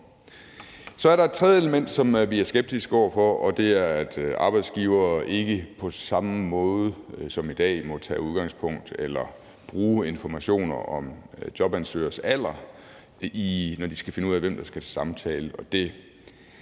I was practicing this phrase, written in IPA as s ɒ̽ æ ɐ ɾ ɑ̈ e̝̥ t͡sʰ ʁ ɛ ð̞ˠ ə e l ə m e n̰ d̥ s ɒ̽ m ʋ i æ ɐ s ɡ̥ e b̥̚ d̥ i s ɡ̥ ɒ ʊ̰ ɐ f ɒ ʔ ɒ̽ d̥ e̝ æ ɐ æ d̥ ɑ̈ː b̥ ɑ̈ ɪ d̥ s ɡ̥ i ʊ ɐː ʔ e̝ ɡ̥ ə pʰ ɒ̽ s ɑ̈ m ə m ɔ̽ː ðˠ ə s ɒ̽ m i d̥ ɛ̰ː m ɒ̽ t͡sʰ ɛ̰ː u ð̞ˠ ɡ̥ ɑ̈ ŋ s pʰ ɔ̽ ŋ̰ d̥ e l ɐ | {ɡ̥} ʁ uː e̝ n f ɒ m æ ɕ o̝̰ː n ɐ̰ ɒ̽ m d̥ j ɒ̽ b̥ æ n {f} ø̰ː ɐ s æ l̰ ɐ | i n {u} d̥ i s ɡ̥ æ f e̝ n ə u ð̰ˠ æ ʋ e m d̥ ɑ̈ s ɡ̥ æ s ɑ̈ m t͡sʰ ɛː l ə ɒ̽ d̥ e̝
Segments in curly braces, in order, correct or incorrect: incorrect: b̥, incorrect: s, incorrect: ɒ

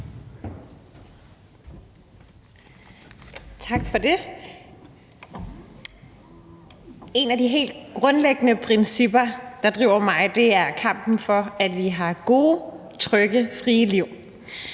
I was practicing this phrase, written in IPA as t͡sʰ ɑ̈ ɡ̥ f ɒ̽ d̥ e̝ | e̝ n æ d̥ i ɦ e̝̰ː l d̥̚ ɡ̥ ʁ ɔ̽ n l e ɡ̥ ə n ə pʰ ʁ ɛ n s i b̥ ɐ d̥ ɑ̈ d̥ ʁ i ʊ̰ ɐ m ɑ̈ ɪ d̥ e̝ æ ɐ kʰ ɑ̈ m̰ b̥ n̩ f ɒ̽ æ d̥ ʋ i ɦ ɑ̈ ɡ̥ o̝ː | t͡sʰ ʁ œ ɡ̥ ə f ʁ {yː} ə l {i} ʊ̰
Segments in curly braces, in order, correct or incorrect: incorrect: iː, correct

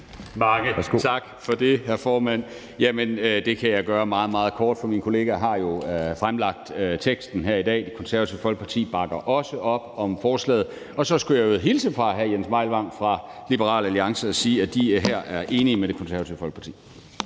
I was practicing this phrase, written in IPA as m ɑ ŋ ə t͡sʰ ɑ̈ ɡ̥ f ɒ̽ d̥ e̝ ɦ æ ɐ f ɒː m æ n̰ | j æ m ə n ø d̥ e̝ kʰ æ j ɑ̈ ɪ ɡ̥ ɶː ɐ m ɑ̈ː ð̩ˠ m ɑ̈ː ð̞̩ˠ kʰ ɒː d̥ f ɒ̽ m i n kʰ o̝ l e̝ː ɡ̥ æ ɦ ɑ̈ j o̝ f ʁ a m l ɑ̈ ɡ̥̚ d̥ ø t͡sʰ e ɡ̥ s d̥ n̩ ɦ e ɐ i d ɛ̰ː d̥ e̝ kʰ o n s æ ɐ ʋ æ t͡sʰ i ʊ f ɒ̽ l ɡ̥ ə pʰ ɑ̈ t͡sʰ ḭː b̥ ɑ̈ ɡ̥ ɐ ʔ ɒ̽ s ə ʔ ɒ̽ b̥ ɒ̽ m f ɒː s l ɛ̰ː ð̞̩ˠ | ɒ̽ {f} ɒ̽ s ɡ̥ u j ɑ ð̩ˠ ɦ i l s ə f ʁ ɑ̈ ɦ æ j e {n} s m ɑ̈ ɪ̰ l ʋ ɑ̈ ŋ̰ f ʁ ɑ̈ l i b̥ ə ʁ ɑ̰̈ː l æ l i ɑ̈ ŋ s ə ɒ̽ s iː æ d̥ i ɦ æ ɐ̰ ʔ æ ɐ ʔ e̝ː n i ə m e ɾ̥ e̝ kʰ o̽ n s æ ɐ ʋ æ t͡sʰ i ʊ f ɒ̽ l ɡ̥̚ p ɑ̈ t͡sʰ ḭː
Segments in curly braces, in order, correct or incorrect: incorrect: s, correct

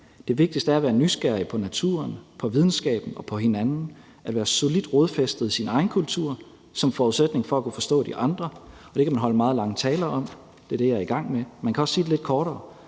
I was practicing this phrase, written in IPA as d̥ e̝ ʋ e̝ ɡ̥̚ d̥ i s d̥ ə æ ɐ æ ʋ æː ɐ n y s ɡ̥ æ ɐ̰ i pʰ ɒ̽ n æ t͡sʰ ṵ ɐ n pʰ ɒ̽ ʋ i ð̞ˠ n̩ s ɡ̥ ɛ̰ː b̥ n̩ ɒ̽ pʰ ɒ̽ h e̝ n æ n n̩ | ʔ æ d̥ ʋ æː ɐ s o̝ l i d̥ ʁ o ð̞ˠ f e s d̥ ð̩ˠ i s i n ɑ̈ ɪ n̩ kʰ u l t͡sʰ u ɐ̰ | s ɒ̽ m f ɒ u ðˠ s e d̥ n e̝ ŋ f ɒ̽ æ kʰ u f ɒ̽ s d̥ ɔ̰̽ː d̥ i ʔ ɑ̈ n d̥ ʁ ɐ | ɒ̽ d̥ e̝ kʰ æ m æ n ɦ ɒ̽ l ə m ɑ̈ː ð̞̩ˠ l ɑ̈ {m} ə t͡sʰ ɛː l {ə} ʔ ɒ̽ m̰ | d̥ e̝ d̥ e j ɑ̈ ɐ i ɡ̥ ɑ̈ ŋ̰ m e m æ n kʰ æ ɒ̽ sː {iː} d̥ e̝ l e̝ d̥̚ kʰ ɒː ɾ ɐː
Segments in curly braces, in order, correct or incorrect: incorrect: ŋ, incorrect: ɐ, correct

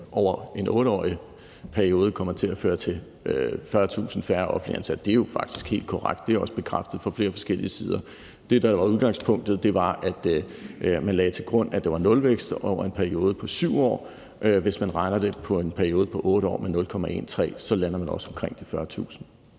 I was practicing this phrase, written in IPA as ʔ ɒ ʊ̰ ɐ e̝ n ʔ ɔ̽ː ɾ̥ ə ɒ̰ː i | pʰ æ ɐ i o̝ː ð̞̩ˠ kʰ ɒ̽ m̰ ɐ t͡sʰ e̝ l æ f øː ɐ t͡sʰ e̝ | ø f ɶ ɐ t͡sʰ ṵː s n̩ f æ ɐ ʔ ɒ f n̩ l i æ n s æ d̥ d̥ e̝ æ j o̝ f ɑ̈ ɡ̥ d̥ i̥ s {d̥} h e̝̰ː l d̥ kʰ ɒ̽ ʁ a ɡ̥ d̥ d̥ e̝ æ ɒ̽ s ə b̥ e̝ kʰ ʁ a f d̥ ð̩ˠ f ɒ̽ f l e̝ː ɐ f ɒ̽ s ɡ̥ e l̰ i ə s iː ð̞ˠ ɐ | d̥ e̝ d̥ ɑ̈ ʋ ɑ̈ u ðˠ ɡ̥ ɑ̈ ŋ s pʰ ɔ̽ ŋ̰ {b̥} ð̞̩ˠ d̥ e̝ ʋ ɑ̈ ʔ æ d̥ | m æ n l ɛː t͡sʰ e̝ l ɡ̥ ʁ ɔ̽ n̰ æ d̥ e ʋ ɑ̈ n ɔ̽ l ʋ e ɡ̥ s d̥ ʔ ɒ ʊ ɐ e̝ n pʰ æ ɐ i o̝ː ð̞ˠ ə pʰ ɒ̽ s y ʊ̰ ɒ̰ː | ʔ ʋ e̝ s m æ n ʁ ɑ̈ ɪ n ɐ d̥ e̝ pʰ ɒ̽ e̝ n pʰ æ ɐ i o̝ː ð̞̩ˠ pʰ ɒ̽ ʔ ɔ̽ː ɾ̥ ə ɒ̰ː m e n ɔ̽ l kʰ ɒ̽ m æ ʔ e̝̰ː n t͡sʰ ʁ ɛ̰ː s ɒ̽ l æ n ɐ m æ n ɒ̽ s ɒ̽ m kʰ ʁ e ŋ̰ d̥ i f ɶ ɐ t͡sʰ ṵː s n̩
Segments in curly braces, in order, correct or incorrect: incorrect: ɡ̥, incorrect: d̥

